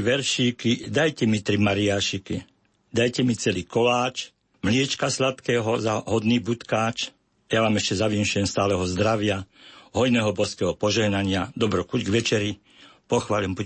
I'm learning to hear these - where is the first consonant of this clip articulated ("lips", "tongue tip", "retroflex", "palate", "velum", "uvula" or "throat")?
lips